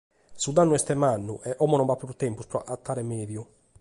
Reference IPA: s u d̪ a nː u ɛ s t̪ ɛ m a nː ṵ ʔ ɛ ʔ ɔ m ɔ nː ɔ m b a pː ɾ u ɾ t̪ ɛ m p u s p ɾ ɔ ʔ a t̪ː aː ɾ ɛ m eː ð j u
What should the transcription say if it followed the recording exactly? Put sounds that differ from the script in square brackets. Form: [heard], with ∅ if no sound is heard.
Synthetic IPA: s u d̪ a nː u ɛ s t̪ ɛ m a nː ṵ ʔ ɛ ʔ ɔ m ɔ [n] ɔ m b a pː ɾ u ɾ t̪ ɛ m p u s p ɾ ɔ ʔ a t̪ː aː ɾ ɛ m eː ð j u